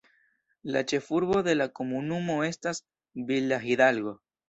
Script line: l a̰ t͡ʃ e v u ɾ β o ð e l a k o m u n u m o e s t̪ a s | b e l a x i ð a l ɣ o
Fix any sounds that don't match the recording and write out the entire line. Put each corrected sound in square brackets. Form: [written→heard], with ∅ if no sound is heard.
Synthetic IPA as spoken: l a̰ t͡ʃ e [v→f] u ɾ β o ð e l a k o m u n u m o e s t̪ a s | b [e→i] l a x i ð a l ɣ o